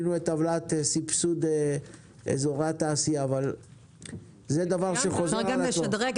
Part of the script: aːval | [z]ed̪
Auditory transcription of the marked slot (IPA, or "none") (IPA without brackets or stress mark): z